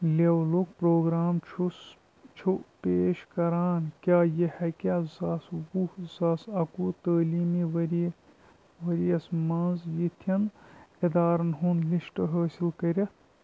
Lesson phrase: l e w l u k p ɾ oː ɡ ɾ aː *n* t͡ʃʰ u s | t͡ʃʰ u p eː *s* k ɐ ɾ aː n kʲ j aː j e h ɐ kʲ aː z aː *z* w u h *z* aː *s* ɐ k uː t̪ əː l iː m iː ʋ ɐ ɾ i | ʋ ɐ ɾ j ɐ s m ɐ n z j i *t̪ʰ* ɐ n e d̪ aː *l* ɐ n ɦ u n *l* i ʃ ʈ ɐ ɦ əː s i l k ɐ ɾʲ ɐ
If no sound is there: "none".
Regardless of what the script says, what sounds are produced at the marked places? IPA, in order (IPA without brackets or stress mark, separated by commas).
m, ʃ, s, z, s, t̪ʰ, ɾ, l